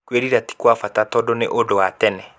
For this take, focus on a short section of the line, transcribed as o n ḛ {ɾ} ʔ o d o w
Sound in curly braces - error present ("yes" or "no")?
yes